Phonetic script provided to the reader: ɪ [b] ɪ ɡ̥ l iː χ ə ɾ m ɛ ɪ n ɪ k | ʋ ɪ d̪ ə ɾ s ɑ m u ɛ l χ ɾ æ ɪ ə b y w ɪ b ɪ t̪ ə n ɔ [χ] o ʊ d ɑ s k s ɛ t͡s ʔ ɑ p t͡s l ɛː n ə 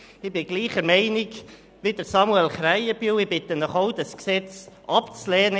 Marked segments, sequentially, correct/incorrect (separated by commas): correct, correct